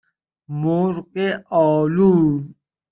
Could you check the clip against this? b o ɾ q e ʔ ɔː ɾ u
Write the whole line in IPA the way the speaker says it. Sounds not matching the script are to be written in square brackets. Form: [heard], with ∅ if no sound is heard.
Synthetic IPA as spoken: [m] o ɾ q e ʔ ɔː [l] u